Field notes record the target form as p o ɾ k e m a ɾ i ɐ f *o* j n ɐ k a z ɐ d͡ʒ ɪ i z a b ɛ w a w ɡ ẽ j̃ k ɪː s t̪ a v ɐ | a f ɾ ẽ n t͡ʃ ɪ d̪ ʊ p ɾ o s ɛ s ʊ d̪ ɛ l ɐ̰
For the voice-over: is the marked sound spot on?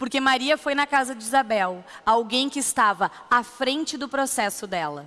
yes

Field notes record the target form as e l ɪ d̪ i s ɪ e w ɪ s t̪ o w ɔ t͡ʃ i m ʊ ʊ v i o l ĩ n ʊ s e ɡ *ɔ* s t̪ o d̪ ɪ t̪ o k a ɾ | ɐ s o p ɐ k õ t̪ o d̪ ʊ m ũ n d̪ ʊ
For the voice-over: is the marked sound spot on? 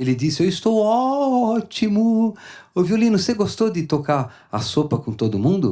no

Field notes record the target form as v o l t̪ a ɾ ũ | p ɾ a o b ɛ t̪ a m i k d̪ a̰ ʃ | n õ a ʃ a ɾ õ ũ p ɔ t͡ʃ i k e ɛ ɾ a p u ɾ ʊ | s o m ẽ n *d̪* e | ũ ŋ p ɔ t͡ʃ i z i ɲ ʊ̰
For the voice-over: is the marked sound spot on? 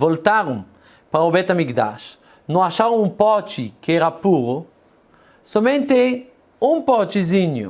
no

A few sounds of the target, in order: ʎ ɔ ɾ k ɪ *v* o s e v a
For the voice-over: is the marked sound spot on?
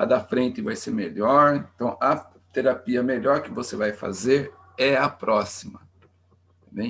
yes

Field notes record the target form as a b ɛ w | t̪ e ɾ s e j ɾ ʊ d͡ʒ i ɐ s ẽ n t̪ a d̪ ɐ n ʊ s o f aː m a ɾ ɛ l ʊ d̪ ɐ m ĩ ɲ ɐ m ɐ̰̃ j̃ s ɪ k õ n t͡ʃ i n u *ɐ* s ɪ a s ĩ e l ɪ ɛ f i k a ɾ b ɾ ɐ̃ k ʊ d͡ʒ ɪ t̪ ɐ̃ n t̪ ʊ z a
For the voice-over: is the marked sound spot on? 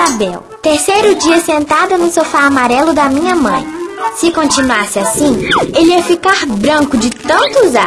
no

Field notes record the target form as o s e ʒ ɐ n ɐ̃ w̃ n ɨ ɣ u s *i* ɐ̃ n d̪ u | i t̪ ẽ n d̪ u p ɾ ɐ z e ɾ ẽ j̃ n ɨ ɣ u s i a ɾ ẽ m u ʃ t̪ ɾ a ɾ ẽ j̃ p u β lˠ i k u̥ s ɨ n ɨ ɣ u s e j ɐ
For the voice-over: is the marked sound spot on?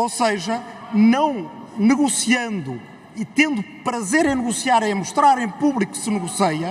yes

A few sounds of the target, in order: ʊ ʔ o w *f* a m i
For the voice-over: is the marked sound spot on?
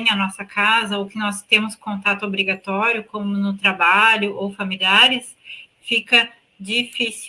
yes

